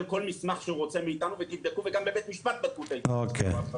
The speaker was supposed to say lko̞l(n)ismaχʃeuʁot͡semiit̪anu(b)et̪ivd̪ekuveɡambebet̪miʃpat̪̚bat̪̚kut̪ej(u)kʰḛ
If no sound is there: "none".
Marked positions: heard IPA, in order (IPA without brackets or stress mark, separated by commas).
m, v, o